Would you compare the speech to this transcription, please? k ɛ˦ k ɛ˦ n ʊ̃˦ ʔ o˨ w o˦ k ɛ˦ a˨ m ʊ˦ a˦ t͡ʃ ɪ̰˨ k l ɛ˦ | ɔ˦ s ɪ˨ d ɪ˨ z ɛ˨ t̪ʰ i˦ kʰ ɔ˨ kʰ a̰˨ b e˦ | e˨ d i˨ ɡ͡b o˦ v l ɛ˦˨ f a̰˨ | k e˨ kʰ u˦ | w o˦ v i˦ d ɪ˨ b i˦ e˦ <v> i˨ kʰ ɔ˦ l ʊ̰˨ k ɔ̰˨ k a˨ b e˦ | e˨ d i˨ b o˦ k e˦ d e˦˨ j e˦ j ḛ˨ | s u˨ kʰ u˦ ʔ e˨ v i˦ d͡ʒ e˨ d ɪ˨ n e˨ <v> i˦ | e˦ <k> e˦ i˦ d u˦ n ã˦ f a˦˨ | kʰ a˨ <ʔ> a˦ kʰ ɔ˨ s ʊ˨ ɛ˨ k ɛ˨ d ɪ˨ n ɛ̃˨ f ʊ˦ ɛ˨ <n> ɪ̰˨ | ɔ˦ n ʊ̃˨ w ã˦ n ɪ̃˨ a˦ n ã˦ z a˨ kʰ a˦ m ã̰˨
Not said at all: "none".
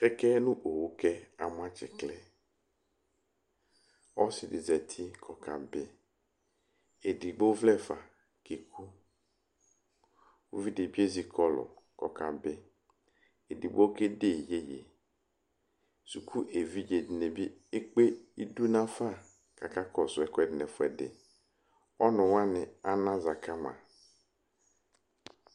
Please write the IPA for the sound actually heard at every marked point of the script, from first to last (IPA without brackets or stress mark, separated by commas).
z, b, k͡p, k, d